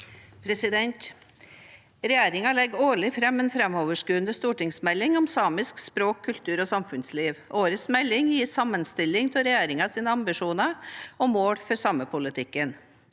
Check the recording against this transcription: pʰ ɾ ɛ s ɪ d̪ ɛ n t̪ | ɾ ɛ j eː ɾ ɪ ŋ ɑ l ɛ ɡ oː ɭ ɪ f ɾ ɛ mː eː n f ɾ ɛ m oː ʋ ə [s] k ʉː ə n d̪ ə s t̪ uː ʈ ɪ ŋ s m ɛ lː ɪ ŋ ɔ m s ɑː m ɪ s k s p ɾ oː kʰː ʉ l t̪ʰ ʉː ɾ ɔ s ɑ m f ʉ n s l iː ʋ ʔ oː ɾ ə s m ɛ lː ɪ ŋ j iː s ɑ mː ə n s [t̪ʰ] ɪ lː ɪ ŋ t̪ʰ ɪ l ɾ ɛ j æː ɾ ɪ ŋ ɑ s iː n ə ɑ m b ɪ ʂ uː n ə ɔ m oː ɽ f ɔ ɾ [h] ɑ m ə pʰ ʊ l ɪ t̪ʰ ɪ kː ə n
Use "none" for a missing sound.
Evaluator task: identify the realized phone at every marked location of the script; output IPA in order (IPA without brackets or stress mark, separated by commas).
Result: ʂ, t̪, s